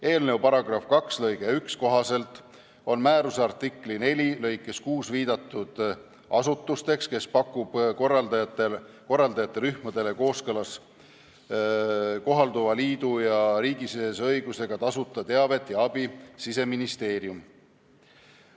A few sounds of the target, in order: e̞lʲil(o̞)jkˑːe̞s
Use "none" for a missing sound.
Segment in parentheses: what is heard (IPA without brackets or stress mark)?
ɤ̞